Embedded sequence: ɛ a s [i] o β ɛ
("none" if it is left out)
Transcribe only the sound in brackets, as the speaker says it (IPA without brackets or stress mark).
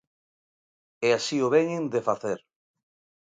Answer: i